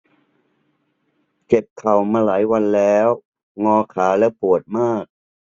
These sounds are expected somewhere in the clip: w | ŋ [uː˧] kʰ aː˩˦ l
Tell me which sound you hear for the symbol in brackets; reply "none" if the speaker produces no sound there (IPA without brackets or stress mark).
ɔː˧